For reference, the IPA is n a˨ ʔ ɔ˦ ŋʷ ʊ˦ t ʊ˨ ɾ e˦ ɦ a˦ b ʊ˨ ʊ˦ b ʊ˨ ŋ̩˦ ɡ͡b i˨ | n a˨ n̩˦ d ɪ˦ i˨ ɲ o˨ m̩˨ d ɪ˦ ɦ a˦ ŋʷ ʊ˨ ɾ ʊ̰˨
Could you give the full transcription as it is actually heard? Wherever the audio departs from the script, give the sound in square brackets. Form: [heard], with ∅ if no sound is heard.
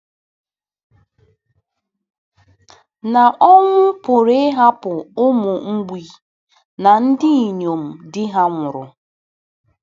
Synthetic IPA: n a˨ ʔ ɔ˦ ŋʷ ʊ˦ [p] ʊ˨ ɾ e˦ ɦ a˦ [p] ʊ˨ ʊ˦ [m] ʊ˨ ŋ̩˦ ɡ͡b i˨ | n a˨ n̩˦ d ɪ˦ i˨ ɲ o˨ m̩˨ d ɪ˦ ɦ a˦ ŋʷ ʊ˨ ɾ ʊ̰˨